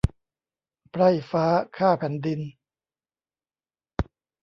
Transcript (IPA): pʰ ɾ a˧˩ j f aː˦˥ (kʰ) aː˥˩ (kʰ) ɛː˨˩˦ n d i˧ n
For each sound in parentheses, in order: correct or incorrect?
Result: correct, incorrect: pʰ

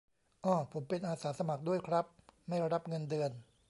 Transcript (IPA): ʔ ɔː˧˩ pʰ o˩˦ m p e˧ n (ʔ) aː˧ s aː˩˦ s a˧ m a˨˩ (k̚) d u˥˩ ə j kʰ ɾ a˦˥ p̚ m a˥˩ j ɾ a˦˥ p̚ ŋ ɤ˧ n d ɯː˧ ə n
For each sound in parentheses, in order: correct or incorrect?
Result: correct, correct

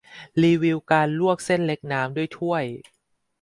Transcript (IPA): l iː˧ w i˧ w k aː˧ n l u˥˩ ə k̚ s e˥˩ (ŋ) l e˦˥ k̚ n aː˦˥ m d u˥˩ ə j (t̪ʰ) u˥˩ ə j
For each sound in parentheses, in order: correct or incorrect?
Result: incorrect: n, correct

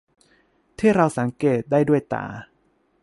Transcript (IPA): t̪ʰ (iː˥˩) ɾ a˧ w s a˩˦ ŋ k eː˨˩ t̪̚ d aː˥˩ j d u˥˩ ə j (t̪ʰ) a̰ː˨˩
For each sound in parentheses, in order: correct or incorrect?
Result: correct, incorrect: t̪

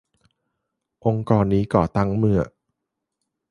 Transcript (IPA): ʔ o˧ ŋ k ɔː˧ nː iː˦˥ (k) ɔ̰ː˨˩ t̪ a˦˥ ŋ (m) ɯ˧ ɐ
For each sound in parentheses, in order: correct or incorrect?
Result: correct, correct

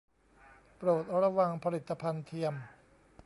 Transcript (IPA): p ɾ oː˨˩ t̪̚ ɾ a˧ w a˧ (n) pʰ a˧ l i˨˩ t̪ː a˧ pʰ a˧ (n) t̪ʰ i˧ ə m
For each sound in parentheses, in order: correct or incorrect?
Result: incorrect: ŋ, correct

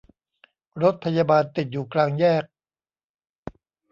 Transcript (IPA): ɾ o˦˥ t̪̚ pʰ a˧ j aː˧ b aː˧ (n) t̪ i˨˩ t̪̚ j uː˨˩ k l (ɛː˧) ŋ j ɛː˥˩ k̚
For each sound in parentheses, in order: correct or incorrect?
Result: correct, incorrect: aː˧

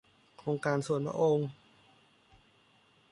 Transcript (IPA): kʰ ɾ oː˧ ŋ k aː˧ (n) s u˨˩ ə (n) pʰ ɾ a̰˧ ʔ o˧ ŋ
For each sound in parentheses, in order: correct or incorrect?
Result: correct, correct

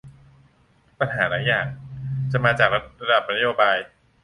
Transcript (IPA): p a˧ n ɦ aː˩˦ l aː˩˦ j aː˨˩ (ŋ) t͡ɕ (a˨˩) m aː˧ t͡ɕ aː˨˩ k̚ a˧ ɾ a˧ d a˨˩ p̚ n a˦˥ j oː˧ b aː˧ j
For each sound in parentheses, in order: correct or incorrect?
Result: correct, correct

